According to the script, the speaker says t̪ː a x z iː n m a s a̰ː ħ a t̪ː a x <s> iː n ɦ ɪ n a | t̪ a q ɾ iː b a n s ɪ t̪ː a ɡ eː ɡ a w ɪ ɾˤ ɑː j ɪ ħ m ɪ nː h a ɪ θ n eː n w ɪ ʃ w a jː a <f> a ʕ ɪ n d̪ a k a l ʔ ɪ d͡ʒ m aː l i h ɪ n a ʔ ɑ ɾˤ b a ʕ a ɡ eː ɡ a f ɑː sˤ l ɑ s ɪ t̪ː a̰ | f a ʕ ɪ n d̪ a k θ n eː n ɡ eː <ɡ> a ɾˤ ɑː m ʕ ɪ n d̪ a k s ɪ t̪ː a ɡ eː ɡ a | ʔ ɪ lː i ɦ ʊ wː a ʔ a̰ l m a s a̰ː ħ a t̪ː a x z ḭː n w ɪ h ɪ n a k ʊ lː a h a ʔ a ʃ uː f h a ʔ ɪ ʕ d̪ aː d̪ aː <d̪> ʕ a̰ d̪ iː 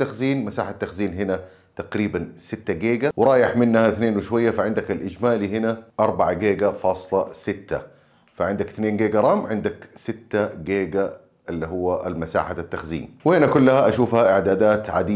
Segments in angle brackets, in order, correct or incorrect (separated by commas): incorrect, correct, correct, incorrect